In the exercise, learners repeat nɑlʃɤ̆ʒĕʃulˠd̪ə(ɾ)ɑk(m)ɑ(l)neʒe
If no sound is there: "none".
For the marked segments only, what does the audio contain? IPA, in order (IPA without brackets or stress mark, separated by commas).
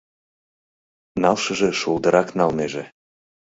ɾ, n, l